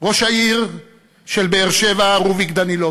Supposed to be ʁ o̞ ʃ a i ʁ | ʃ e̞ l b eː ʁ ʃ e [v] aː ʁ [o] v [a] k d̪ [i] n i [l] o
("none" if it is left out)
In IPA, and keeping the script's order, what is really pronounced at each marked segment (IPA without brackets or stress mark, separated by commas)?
v, u, i, a, l